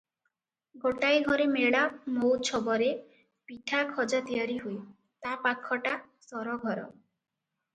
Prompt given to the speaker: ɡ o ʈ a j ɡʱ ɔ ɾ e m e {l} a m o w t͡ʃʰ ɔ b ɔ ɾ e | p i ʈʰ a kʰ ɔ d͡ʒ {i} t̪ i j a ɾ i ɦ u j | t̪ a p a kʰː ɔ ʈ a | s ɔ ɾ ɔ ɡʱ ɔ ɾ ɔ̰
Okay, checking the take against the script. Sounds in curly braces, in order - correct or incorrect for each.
incorrect: ɭ, incorrect: a

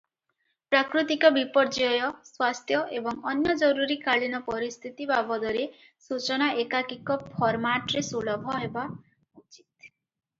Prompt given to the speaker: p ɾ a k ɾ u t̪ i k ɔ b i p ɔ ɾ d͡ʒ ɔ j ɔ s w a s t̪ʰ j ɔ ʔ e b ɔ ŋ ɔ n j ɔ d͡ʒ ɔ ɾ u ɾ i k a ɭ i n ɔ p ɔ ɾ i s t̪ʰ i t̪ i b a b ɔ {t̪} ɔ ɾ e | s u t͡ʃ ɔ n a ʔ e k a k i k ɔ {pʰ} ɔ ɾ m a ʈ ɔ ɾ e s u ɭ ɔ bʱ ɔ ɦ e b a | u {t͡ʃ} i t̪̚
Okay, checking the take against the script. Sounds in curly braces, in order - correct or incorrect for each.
incorrect: d̪, correct, correct

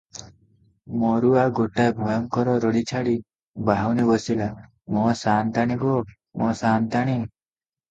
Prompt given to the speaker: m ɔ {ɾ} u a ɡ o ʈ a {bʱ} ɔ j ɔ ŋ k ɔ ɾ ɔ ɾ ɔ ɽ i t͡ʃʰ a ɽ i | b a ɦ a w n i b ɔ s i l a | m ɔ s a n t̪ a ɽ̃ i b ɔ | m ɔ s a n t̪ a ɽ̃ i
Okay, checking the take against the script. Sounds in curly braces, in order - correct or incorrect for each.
correct, correct

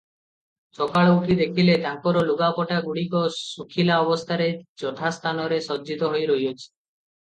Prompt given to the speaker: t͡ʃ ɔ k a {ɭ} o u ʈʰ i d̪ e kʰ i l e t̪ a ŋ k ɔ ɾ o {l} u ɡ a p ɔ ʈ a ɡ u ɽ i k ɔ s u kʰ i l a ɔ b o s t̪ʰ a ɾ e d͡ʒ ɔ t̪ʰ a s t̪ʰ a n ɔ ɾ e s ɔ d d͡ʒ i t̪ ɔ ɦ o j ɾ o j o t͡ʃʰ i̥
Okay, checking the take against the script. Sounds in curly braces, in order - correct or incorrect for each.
correct, correct

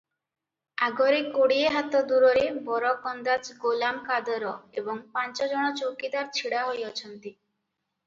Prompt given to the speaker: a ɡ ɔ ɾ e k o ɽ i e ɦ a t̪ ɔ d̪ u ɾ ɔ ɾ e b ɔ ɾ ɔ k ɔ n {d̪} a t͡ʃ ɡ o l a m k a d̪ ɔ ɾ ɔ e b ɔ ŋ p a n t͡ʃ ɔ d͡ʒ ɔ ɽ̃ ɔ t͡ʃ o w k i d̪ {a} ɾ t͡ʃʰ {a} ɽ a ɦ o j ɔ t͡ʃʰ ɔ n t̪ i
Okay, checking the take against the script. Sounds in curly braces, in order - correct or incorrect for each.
correct, correct, incorrect: i

